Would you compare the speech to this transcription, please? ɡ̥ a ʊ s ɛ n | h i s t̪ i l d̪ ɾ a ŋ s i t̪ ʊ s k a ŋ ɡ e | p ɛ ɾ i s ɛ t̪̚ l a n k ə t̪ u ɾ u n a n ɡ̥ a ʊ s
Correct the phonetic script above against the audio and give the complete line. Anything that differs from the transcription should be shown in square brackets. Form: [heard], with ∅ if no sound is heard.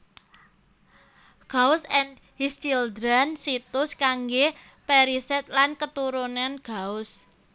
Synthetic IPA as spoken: ɡ̥ a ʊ s ɛ n | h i s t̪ i l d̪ ɾ a [n] s i t̪ ʊ s k a ŋ ɡ e | p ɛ ɾ i s ɛ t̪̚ l a n k ə t̪ u ɾ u n a n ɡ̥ a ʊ s